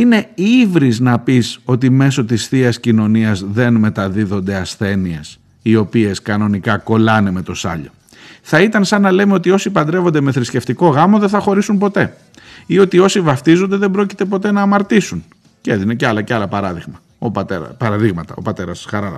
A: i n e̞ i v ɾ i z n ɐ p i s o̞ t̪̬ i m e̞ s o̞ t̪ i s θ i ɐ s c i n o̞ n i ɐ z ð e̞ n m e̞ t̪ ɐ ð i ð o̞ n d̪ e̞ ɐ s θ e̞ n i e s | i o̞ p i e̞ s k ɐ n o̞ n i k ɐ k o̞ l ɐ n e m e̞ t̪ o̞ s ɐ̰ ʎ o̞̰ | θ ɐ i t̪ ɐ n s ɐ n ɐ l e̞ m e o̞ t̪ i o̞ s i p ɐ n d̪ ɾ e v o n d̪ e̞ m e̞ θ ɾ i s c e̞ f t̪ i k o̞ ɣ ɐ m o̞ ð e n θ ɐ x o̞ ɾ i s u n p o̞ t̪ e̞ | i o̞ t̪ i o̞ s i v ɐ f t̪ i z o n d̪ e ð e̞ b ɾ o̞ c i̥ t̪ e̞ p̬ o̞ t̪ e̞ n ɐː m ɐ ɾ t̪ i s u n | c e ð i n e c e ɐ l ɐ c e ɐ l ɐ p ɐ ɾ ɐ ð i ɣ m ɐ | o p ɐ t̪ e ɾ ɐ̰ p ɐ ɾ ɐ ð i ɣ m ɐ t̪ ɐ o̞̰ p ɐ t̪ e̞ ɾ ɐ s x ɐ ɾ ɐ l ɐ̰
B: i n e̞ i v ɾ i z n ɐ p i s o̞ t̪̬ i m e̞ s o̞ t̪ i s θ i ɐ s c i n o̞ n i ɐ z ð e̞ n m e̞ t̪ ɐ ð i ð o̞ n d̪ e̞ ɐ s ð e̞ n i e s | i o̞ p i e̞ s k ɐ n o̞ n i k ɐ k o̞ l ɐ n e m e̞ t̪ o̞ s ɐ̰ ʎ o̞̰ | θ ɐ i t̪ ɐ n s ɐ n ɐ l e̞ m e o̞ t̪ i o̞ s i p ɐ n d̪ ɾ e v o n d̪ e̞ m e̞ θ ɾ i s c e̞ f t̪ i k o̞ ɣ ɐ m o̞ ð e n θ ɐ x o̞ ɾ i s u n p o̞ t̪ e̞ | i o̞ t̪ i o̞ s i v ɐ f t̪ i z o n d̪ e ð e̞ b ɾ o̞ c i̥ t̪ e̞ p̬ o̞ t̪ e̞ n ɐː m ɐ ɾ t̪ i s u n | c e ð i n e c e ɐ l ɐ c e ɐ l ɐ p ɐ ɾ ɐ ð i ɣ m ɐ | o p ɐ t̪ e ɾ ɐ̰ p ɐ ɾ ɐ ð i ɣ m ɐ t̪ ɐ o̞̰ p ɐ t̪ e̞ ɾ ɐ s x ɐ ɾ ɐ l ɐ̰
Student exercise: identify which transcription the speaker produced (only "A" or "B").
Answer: A